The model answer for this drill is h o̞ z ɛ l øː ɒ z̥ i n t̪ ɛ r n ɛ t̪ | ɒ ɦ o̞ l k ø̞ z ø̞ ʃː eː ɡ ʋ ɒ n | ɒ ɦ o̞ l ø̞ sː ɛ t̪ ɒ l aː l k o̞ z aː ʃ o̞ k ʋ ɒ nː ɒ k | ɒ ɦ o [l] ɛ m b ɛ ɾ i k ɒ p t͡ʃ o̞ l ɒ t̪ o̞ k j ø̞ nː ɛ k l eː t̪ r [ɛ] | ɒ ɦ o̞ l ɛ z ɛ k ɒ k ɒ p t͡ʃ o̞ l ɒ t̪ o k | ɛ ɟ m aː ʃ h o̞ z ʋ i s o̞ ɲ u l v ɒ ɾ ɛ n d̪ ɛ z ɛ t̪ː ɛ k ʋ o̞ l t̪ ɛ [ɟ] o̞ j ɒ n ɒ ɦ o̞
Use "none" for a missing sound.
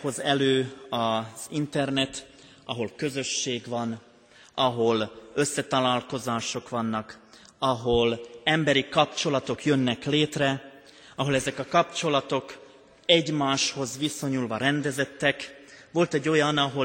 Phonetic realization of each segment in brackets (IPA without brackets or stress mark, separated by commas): l, ɛ, ɟː